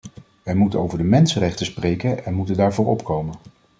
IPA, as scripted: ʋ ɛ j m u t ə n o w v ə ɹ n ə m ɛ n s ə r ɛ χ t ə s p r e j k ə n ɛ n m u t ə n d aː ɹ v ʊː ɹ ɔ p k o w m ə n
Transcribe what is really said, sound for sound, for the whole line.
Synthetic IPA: ʋ ɛ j m u t ə n o w v ə ɹ d ə m ɛ n s ə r ɛ χ t ə s p r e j k ə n ɛ n m u t ə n d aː ɹ v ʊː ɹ ɔ p k o w m ə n